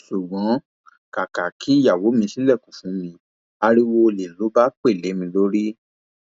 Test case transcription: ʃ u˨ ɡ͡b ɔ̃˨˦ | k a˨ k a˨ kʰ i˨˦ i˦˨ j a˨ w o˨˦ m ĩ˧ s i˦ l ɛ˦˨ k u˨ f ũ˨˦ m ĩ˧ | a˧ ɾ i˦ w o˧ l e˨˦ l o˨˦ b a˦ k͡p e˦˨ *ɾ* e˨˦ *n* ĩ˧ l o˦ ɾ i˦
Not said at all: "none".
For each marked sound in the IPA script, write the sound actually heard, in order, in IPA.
l, m

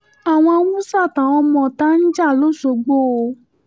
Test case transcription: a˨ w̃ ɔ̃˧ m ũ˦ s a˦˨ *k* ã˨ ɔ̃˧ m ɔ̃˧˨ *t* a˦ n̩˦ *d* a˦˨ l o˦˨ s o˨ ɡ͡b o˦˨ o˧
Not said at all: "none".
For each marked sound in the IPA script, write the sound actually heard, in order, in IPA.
t, t, d͡ʒ

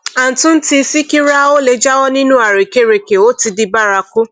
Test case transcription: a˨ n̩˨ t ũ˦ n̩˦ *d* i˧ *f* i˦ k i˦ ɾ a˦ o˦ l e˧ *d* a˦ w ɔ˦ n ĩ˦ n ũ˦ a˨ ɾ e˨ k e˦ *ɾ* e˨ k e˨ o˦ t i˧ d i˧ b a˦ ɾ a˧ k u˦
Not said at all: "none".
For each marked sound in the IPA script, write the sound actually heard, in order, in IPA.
t, s, d͡ʒ, ɾ

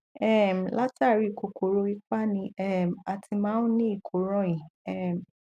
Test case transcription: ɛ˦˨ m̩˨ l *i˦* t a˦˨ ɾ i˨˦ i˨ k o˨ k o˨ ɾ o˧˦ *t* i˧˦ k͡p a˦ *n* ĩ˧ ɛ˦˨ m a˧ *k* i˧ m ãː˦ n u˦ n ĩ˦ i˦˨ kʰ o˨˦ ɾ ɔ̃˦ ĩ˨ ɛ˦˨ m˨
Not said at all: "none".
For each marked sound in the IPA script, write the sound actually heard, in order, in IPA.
a˦, none, n, t

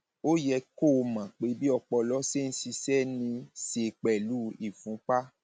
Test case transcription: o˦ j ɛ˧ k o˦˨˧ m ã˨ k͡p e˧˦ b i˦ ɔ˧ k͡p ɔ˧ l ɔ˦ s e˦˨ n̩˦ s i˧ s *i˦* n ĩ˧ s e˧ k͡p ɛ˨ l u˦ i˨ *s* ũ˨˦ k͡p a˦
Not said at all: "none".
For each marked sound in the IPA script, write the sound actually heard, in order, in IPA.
ɛ˦, f

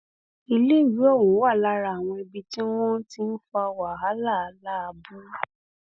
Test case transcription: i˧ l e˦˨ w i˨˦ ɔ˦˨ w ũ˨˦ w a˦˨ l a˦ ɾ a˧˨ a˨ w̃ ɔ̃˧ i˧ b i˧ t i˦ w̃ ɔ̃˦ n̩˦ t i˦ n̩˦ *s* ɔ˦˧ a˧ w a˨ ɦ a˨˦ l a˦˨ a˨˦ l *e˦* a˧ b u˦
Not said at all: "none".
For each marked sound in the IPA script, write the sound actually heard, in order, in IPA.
f, a˦

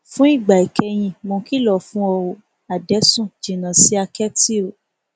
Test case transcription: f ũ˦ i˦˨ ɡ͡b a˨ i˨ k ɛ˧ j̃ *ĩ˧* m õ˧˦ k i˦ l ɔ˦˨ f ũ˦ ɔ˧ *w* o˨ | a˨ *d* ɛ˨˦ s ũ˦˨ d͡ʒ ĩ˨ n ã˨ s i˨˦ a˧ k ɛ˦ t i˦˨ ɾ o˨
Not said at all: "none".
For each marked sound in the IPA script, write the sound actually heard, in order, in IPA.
ĩ˧, w, d

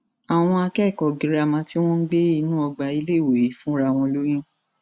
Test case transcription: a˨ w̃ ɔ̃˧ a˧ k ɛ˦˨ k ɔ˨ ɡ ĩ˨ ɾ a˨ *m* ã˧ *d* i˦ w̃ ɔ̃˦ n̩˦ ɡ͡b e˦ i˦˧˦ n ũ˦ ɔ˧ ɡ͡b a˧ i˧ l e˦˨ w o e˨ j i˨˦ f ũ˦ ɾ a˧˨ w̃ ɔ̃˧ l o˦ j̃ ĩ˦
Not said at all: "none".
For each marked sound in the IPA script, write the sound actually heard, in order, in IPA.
m, t

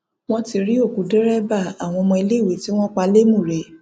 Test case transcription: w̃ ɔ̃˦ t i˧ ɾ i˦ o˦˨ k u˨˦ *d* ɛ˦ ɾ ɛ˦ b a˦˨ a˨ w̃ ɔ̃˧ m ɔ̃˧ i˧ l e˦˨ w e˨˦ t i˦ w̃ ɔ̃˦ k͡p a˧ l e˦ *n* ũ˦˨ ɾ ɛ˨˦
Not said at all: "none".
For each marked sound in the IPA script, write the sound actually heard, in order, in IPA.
d, m

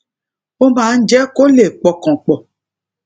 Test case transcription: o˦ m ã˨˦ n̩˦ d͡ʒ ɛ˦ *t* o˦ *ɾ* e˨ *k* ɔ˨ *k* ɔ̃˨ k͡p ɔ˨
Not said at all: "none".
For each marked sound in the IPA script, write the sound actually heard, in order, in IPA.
k, l, k͡p, k

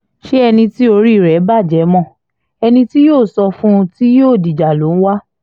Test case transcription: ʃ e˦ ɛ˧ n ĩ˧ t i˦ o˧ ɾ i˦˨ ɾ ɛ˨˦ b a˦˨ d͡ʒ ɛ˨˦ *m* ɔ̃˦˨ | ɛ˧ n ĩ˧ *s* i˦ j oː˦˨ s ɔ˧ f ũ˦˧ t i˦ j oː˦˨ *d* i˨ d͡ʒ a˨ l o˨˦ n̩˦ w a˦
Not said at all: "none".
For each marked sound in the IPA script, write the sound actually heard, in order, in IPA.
m, t, d

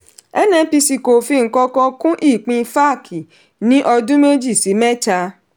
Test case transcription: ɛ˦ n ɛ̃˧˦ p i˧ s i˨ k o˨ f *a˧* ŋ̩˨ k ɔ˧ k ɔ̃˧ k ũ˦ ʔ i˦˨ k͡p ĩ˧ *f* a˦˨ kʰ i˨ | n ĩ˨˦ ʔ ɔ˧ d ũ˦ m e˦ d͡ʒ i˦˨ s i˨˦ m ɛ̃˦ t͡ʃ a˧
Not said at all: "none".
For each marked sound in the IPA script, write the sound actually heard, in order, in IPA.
i˧, f

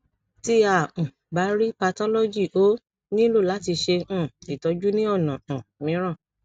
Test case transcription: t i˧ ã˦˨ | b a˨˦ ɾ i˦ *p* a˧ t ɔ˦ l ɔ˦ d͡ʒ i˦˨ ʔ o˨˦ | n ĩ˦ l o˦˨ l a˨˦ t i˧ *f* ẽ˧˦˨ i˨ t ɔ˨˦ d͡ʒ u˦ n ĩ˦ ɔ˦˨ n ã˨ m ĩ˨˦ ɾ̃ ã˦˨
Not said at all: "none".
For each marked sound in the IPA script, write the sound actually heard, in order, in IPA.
p, ʃ

